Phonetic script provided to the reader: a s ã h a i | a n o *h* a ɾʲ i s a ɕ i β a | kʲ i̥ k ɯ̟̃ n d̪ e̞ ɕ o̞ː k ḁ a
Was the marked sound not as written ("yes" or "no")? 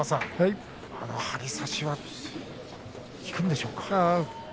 no